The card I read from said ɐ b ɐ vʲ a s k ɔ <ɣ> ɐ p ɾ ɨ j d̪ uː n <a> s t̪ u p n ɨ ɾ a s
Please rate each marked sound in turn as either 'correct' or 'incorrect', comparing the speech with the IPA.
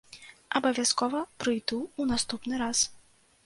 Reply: incorrect: v, correct

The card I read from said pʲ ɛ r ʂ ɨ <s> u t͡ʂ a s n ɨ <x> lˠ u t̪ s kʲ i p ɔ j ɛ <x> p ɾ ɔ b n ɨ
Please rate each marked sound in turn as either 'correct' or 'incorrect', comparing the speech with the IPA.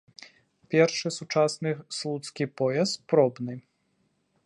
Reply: correct, incorrect: s, incorrect: s

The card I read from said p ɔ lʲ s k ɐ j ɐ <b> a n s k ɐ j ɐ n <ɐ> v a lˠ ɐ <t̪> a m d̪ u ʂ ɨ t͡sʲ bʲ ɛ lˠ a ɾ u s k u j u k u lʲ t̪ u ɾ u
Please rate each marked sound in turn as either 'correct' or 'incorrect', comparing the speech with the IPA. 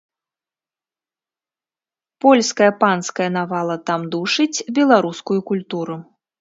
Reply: incorrect: p, incorrect: a, correct

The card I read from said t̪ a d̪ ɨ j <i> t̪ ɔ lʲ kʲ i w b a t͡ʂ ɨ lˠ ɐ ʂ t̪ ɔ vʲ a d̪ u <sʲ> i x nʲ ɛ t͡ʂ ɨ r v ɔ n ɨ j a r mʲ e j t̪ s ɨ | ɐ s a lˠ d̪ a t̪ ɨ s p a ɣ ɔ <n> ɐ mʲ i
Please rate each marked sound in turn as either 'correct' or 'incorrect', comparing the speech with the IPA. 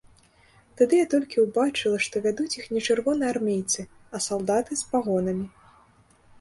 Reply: incorrect: a, incorrect: t͡sʲ, correct

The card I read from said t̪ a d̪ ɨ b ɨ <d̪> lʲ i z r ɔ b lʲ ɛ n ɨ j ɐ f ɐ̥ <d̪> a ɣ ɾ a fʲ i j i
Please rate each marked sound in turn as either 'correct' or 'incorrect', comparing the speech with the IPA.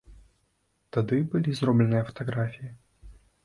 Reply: incorrect: none, incorrect: t̪

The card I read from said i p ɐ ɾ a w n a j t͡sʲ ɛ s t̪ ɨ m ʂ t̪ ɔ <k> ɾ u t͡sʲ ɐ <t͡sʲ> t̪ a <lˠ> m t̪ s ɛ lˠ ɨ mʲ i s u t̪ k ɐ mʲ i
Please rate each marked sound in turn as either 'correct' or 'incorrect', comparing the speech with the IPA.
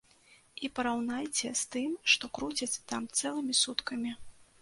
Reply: correct, correct, incorrect: none

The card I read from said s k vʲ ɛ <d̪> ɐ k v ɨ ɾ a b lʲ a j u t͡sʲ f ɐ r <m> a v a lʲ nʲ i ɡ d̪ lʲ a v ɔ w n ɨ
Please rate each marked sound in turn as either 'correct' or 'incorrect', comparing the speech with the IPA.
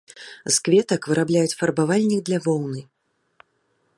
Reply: incorrect: t̪, incorrect: b

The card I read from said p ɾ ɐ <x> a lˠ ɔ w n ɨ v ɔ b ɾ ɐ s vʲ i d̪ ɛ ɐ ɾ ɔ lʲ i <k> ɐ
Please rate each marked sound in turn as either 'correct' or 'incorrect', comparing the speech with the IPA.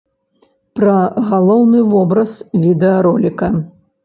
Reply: incorrect: ɣ, correct

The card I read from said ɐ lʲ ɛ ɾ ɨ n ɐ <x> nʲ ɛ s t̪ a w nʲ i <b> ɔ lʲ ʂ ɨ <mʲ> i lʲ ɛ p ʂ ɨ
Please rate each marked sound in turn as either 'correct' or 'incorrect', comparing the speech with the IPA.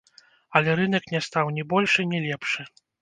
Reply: incorrect: k, correct, incorrect: nʲ

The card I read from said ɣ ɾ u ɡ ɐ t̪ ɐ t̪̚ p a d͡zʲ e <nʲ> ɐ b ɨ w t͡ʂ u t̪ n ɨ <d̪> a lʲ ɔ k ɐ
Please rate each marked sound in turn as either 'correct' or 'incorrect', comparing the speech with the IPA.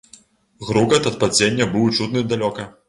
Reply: incorrect: nʲː, correct

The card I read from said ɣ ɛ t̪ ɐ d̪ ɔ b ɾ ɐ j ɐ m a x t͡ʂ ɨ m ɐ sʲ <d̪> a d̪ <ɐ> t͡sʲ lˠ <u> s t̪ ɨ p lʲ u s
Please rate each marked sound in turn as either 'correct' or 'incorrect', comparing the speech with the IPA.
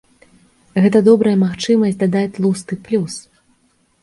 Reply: correct, incorrect: a, correct

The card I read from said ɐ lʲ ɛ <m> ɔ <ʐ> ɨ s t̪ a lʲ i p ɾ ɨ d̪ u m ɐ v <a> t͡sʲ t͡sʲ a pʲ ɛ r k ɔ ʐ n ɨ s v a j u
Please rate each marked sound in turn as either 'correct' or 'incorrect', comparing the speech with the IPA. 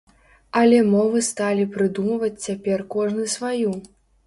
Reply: correct, incorrect: v, incorrect: ɐ

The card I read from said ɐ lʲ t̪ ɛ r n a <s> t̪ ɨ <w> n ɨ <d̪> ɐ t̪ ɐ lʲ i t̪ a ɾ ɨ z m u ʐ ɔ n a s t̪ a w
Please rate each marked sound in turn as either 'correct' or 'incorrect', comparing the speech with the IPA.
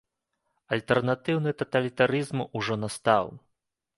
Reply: incorrect: none, correct, incorrect: t̪

